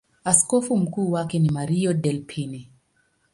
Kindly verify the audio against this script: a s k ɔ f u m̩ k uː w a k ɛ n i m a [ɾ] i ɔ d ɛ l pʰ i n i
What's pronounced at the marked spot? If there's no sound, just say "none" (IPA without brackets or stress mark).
ɾ